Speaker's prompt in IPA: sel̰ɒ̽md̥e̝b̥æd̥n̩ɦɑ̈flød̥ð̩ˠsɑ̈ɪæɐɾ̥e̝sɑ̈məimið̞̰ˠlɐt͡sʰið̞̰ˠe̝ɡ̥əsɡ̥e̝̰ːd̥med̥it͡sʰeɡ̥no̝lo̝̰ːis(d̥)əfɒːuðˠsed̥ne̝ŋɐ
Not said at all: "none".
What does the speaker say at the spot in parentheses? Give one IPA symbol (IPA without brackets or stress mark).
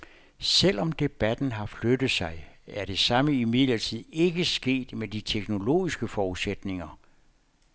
ɡ̥